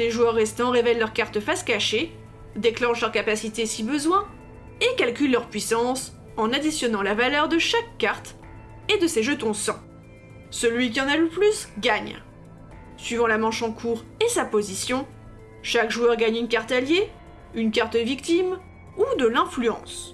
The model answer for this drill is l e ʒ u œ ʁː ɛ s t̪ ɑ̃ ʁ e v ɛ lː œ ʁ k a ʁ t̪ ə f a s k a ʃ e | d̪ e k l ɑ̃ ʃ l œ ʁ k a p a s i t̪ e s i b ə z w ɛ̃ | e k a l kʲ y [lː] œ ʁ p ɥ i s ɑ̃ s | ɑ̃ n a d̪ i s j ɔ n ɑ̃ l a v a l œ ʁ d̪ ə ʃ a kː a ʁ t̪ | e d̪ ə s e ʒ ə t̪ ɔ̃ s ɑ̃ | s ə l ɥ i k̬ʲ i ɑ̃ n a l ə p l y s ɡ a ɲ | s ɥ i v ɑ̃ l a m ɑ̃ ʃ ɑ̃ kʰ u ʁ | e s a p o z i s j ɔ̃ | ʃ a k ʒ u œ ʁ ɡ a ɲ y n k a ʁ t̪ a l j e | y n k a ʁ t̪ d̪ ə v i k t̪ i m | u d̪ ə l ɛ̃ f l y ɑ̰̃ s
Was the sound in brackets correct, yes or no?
yes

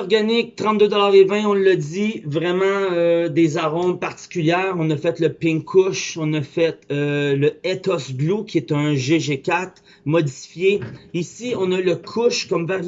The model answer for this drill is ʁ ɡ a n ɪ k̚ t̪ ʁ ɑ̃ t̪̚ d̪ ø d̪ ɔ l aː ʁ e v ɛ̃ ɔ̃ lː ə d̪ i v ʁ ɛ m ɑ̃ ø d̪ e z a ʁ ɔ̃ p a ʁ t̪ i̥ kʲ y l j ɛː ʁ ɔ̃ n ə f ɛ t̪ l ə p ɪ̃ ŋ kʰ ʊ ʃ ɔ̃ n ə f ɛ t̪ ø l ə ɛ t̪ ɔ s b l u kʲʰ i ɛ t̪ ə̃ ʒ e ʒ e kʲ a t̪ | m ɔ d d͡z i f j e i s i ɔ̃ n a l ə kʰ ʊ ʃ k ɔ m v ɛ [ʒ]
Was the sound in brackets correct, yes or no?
no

